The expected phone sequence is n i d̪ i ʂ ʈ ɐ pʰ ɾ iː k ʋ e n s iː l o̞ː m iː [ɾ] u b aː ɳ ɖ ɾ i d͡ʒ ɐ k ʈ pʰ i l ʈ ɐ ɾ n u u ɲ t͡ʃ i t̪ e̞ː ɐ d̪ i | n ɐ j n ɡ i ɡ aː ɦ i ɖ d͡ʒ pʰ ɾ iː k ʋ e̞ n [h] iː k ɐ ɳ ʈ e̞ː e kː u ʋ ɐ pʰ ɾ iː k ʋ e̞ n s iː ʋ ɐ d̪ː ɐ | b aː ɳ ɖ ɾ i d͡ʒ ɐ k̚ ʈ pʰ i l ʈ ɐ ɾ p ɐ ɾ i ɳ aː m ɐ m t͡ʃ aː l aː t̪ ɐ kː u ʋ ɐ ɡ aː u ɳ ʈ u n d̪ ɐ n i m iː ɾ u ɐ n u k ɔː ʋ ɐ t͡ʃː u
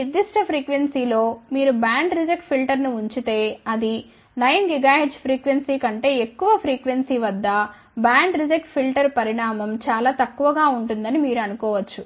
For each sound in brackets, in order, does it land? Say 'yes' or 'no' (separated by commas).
yes, no